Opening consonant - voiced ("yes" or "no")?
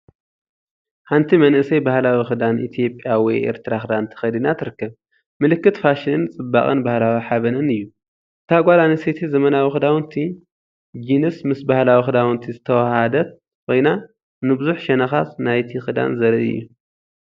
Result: no